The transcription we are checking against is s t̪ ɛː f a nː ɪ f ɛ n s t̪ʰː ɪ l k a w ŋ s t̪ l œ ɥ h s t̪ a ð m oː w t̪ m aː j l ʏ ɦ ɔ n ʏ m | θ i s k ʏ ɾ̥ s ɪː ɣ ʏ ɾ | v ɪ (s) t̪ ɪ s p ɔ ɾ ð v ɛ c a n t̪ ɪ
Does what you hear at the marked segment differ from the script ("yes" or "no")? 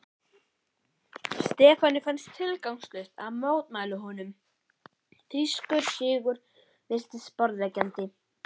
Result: no